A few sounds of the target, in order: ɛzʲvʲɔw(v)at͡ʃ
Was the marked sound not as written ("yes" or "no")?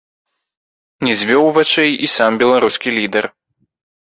no